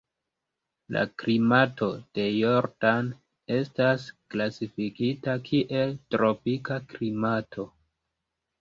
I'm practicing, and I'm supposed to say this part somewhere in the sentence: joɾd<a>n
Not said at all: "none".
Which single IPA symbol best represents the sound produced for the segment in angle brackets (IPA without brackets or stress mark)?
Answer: a